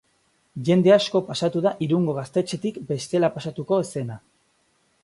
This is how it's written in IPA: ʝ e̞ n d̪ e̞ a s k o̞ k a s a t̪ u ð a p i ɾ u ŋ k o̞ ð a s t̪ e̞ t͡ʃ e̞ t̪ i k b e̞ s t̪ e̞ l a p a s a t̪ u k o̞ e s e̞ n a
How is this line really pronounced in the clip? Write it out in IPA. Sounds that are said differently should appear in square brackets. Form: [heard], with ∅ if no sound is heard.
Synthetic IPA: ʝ e̞ n d̪ e̞ a s k o̞ [p] a s a t̪ u ð a [ʔ] i ɾ u ŋ [ɡ] o̞ [ɣ] a s t̪ e̞ t͡ʃ e̞ t̪ i k b e̞ s t̪ e̞ l a p a s a t̪ u k o̞ e s e̞ n a